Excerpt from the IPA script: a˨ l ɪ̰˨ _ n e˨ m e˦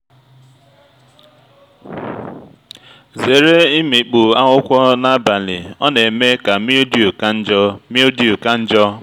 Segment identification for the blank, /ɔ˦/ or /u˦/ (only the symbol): ɔ˦